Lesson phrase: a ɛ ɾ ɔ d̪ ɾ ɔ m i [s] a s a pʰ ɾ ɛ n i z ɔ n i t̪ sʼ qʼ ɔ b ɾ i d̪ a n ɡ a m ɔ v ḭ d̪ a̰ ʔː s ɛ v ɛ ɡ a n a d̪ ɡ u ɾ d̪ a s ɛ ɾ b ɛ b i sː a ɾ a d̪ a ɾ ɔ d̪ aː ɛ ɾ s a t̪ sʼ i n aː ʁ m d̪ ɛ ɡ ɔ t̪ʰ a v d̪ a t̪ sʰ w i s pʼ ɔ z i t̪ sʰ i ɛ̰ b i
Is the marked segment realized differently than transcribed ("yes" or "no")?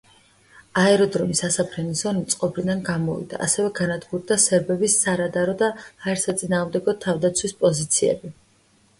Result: no